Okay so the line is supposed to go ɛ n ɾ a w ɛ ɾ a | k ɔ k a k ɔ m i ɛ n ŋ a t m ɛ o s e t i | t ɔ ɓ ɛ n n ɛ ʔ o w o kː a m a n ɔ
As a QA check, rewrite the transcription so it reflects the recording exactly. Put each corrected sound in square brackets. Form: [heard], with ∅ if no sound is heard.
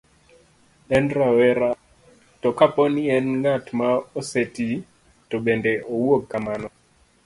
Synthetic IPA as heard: ɛ n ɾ a w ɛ ɾ a | [t] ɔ k a [p] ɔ [n] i ɛ n ŋ a t m [a] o s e t i | t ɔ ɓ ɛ n [d] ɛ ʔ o w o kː a m a n ɔ